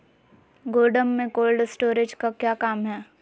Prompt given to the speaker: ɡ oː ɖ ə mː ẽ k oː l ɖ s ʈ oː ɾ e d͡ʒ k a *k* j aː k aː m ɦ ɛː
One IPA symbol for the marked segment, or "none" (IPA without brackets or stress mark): k